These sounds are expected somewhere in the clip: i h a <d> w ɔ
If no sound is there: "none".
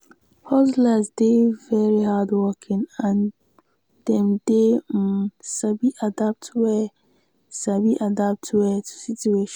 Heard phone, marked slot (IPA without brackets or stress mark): d